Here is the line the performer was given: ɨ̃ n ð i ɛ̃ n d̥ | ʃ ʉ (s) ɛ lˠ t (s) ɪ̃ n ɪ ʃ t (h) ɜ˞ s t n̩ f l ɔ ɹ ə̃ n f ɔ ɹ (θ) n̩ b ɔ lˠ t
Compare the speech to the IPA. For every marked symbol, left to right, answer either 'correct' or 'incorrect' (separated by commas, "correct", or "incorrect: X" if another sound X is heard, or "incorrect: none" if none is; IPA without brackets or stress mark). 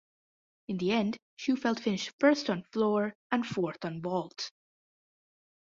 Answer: incorrect: f, incorrect: f, incorrect: f, correct